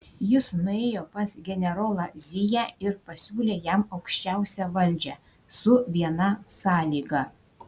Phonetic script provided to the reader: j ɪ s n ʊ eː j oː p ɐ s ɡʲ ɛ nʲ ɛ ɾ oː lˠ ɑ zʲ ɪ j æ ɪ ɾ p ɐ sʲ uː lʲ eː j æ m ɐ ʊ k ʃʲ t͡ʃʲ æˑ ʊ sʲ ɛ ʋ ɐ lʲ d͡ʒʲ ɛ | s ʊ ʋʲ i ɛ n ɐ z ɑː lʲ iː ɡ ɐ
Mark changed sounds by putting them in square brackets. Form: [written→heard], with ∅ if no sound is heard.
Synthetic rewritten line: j ɪ s n ʊ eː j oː p ɐ s ɡʲ ɛ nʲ ɛ ɾ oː lˠ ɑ zʲ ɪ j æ ɪ ɾ p ɐ sʲ uː lʲ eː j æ m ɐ ʊ k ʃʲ t͡ʃʲ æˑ ʊ sʲ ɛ ʋ ɐ lʲ d͡ʒʲ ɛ | s ʊ ʋʲ i ɛ n ɐ [z→s] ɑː lʲ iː ɡ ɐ